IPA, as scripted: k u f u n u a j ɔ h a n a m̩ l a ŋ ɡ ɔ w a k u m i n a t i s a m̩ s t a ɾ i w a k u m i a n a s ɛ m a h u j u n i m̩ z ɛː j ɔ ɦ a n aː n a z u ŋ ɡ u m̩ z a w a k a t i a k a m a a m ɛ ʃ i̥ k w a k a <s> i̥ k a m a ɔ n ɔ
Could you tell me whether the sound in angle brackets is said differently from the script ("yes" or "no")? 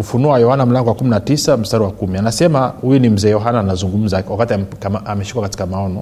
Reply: yes